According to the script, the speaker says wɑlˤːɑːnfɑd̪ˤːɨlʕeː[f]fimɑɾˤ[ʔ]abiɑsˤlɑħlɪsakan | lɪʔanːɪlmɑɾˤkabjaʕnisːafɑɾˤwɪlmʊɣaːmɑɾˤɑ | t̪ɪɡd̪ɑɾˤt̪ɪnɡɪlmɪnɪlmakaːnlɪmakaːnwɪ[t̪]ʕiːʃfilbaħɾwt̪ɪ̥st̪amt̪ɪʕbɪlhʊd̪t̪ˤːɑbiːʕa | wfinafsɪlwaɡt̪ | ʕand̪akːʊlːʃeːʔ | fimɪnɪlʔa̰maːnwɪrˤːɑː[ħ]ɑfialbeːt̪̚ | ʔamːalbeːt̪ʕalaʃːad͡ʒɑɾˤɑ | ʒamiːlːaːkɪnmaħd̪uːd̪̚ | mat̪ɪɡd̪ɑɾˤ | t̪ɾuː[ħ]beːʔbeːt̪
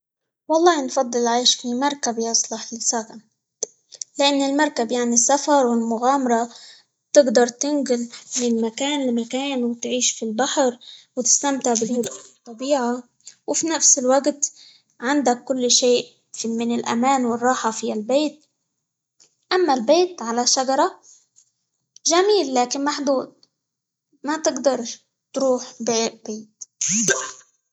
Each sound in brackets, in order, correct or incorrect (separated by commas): incorrect, incorrect, correct, correct, correct